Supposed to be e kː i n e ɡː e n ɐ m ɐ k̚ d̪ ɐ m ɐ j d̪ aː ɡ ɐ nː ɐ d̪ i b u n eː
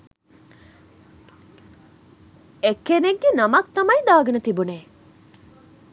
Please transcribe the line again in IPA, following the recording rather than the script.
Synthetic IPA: e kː e n e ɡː e n ɐ m ɐ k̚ t̪ ɐ m ɐ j d̪ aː ɡ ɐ n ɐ t̪ i b u n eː

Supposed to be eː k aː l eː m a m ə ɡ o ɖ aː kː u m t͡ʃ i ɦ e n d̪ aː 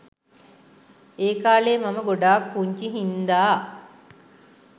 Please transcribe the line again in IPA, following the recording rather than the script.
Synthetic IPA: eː k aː l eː m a m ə ɡ o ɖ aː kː u ɲ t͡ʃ i ɦ i n d̪ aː

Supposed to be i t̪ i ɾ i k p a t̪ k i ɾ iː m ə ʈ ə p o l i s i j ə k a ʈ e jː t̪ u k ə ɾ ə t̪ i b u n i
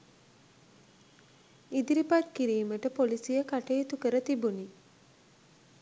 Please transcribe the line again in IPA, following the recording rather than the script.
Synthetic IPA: i d̪ i ɾ i p a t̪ k i ɾ iː m ə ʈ ə p o l i s i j ə k a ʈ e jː t̪ u k ə ɾ ə t̪ i b u n i

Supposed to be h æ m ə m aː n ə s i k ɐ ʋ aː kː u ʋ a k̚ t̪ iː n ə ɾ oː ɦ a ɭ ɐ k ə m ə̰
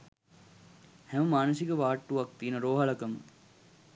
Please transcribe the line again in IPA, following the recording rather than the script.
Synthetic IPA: h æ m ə m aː n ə s i k ə ʋ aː ʈː u ʋ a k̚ t̪ iː n ə ɾ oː ɦ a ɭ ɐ k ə m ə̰

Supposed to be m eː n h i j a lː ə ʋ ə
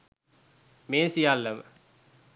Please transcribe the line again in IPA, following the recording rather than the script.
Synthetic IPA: m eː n s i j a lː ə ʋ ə

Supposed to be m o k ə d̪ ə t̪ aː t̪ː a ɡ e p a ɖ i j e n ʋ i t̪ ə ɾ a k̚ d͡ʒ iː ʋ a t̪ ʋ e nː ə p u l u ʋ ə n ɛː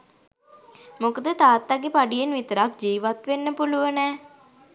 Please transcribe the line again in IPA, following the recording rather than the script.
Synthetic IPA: m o k ə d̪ ə t̪ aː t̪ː a ɡ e p a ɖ i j e n ʋ i t̪ ə ɾ a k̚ d͡ʒ iː ʋ a t̪ ʋ e nː ə p u l u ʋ ə n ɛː

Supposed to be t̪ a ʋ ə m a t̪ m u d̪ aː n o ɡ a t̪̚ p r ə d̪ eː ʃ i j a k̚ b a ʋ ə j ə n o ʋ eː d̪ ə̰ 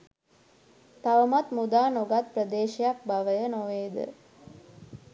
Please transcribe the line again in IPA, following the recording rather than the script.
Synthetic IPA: t̪ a ʋ ə m a t̪ m u d̪ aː n o ɡ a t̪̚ p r ə d̪ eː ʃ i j a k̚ b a ʋ ə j ə n o ʋ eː d̪ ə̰

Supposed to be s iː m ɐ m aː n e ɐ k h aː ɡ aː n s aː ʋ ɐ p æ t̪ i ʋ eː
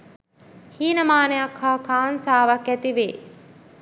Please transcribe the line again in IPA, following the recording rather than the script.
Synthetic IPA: h iː n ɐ m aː n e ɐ k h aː k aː n s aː ʋ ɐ k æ t̪ i ʋ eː

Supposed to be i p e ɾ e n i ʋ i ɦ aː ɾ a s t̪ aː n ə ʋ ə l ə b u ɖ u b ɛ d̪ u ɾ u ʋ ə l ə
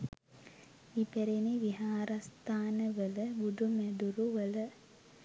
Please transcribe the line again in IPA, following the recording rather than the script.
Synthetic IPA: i p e ɾ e n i ʋ i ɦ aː ɾ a s t̪ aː n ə ʋ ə l ə b u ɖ u m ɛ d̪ u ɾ u ʋ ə l ə

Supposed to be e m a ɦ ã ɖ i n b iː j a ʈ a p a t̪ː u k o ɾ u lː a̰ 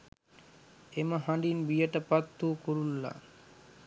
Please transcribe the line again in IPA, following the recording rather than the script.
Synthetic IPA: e m a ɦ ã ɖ i n b i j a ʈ a p a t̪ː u k o ɾ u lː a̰

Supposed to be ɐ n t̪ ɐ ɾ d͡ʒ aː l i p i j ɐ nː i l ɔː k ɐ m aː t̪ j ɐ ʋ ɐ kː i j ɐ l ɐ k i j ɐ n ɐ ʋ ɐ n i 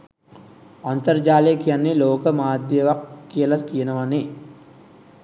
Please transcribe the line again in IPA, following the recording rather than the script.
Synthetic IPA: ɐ n t̪ ɐ ɾ d͡ʒ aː l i k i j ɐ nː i l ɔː k ɐ m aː d̪ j ɐ ʋ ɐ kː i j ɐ l ɐ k i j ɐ n ɐ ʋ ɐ n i

